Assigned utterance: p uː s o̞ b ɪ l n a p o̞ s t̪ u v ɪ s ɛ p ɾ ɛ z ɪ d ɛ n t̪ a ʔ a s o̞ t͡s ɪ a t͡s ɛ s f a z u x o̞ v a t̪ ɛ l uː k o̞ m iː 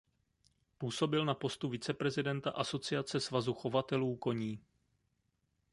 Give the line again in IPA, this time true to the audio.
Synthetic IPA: p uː s o̞ b ɪ l n a p o̞ s t̪ u v ɪ t͡s ɛ p ɾ ɛ z ɪ d ɛ n t̪ a ʔ a s o̞ t͡s ɪ a t͡s ɛ s v a z u x o̞ v a t̪ ɛ l uː k o̞ ɲ iː